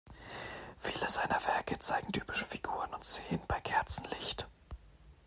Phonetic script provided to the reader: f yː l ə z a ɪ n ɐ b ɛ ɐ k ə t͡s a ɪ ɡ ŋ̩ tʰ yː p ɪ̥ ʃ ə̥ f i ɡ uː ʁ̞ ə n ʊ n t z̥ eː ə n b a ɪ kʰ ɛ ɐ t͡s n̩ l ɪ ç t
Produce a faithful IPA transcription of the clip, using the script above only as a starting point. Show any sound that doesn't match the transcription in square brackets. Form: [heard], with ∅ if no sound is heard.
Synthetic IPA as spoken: f [iː] l ə z a ɪ n ɐ [v] ɛ ɐ k ə t͡s a ɪ ɡ ŋ̩ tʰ yː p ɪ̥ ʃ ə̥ f i ɡ uː ʁ̞ ə n ʊ n t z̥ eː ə n b a ɪ kʰ ɛ ɐ t͡s n̩ l ɪ ç t